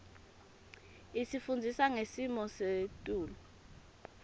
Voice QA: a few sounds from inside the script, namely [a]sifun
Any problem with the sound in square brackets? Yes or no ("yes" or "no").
yes